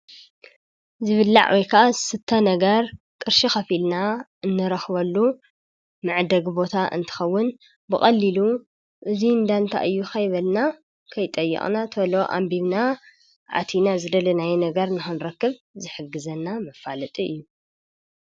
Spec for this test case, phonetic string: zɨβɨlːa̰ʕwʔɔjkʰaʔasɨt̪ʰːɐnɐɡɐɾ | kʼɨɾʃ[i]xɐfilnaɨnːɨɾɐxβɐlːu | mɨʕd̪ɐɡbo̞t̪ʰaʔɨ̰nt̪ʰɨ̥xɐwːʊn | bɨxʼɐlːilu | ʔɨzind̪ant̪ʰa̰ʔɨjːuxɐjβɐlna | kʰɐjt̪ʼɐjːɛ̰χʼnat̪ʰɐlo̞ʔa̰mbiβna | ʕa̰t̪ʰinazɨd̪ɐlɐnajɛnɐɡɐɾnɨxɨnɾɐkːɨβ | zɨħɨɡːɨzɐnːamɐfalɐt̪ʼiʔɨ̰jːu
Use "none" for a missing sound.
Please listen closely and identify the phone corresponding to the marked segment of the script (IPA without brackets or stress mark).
i